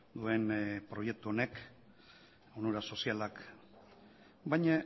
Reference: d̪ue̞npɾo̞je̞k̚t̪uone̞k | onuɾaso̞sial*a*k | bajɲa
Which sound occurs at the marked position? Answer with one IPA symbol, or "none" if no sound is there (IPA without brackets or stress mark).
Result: a